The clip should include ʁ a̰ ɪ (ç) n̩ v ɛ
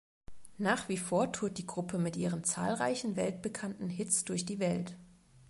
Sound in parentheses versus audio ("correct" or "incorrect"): correct